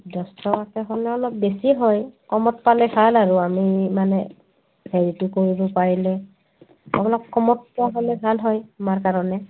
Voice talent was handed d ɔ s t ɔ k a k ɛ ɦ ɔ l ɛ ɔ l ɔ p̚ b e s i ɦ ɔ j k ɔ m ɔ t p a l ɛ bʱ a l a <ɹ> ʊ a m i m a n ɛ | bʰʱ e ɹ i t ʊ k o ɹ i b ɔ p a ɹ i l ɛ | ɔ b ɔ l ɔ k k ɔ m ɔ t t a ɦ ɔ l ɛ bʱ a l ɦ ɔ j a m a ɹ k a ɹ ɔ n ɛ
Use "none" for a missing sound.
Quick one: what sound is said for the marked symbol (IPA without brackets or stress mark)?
ɹ